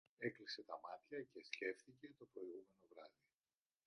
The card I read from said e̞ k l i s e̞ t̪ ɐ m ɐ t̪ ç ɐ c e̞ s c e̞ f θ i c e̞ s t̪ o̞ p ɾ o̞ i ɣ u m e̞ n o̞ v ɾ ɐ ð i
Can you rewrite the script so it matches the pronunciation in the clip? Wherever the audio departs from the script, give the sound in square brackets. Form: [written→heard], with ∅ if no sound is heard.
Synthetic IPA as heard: e̞ k l i s e̞ t̪ ɐ m ɐ t̪ ç ɐ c e̞ s c e̞ f θ i c e̞ [s→∅] t̪ o̞ p ɾ o̞ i ɣ u m e̞ n o̞ v ɾ ɐ ð i